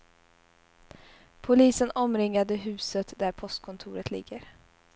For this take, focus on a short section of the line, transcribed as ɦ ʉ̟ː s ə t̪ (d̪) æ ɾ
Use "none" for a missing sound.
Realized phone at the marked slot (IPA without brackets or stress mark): d̪